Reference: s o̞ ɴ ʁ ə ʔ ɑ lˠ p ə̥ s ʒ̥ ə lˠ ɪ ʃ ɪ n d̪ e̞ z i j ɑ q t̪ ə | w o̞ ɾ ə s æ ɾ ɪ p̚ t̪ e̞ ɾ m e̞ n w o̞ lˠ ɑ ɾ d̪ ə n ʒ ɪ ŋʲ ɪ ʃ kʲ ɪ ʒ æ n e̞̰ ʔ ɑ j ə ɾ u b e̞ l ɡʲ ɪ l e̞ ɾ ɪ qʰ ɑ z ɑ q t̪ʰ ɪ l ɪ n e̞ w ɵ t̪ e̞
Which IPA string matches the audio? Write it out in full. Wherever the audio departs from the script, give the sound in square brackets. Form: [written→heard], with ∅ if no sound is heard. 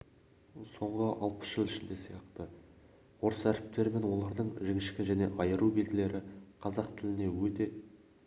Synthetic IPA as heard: s o̞ ɴ ʁ ə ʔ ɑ lˠ p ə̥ s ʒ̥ ə lˠ ɪ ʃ ɪ n d̪ e̞ [z→s] i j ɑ q t̪ ə | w o̞ ɾ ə s æ ɾ ɪ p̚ t̪ e̞ ɾ m e̞ n w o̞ lˠ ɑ ɾ d̪ ə [n→ɴ] ʒ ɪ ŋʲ ɪ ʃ kʲ ɪ ʒ æ n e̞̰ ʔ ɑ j ə ɾ u b e̞ l ɡʲ ɪ l e̞ ɾ ɪ qʰ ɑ z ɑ q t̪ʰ ɪ l ɪ n e̞ w ɵ t̪ e̞